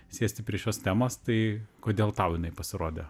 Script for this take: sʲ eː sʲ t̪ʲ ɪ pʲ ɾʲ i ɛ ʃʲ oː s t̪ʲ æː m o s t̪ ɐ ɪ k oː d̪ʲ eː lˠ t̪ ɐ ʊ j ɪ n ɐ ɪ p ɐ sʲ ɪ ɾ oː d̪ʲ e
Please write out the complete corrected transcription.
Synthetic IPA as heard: sʲ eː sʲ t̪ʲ ɪ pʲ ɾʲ i ɛ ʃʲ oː s t̪ʲ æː m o s t̪ ɐ ɪ k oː d̪ʲ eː lˠ t̪ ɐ ʊ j ɪ n ɐ ɪ p ɐ sʲ ɪ ɾ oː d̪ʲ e